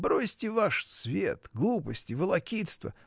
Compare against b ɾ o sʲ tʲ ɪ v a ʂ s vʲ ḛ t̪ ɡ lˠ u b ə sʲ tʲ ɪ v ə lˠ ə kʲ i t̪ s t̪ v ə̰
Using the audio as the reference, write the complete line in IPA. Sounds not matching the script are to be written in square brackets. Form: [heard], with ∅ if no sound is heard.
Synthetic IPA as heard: b ɾ o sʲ tʲ ɪ v a ʂ s vʲ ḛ t̪ ɡ lˠ u [p] ə sʲ tʲ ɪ v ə lˠ [ɐ] kʲ i t̪ s t̪ v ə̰